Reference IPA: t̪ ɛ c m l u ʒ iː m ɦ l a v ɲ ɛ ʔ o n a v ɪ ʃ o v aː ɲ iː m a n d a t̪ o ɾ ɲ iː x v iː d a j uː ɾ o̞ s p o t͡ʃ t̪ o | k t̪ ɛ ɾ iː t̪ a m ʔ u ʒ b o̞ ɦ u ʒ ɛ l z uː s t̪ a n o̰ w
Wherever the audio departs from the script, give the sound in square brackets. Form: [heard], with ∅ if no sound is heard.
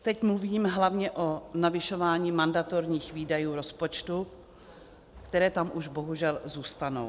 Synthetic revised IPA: t̪ ɛ c m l u [v] iː m ɦ l a v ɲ ɛ ʔ o n a v ɪ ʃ o v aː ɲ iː m a n d a t̪ o ɾ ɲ iː x v iː d a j uː ɾ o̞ s p o t͡ʃ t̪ [u] | k t̪ ɛ ɾ [ɛː] t̪ a m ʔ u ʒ b o̞ ɦ u ʒ ɛ l z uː s t̪ a n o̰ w